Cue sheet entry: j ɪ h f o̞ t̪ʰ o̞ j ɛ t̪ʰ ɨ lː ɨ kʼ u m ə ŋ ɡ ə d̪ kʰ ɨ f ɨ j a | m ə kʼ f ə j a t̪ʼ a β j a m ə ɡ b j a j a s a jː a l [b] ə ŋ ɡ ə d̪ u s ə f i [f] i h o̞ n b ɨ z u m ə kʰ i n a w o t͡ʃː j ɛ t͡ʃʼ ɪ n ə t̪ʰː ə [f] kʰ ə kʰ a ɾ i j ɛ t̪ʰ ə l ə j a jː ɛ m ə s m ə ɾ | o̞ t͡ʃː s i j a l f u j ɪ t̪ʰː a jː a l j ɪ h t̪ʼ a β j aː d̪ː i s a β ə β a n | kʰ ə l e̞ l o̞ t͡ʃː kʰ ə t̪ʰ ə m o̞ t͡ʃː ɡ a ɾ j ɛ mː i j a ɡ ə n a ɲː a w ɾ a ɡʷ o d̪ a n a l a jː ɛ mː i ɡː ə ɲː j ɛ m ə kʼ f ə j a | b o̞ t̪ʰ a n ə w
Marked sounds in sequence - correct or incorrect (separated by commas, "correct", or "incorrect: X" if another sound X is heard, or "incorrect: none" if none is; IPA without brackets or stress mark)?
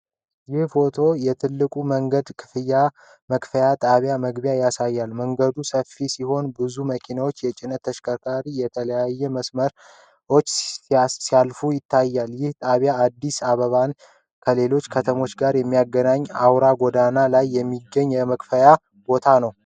incorrect: m, incorrect: s, incorrect: ʃ